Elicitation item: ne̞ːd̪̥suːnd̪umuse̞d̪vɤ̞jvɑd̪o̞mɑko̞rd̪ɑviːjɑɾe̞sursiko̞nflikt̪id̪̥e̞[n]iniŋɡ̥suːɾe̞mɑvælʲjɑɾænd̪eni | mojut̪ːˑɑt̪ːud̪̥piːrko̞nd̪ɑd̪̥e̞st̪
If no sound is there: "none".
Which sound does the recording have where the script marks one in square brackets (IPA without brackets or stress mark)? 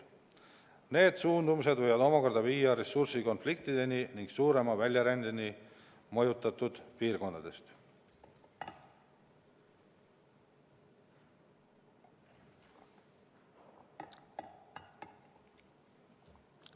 n